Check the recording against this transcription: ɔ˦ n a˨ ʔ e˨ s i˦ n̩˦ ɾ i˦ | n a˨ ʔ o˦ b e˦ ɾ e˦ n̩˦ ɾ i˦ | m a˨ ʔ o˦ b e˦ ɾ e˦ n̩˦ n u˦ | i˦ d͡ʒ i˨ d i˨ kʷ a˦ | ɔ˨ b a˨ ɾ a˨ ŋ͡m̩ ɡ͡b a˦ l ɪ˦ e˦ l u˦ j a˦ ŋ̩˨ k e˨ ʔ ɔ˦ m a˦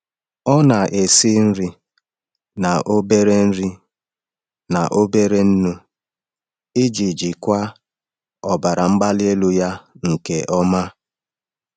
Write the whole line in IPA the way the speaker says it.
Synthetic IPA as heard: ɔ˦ n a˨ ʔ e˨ s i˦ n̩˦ ɾ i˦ | n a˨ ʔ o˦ b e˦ ɾ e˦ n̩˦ ɾ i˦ | n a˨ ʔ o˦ b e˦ ɾ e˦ n̩˦ n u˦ | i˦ d͡ʒ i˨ d͡ʒ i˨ kʷ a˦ | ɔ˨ b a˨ ɾ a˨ ŋ͡m̩ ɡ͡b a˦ l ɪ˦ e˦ l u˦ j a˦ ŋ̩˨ k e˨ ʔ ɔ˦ m a˦